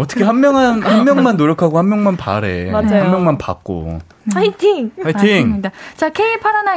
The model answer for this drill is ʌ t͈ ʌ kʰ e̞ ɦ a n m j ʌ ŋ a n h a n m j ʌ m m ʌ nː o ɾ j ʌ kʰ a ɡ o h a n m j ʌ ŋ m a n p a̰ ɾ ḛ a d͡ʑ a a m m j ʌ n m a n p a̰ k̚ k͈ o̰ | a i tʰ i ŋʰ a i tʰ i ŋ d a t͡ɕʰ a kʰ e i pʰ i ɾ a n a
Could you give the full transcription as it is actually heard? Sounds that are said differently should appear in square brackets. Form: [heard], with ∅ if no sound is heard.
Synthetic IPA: ʌ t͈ ʌ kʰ e̞ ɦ a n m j ʌ ŋ a n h a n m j ʌ [ŋ] m [a] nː o ɾ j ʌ kʰ a ɡ o h a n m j ʌ ŋ m a n p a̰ ɾ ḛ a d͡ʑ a a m m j ʌ [ŋ] m a n p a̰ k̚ k͈ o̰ | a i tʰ i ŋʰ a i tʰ i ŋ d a [t͡ɕ] a kʰ e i pʰ [a] ɾ a n a